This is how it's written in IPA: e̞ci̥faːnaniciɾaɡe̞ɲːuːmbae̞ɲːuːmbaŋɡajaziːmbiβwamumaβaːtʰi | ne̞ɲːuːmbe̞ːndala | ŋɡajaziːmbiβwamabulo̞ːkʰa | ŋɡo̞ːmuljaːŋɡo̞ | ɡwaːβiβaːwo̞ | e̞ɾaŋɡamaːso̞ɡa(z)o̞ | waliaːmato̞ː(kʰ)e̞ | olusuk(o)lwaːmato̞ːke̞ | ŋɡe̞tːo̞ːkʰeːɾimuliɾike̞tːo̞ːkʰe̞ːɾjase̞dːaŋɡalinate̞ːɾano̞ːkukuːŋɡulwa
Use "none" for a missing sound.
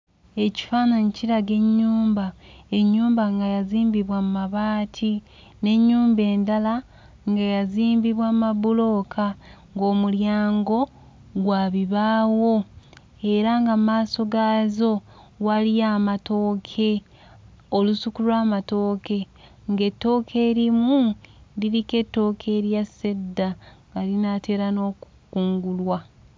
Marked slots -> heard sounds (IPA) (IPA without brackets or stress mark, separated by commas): z, kʰ, u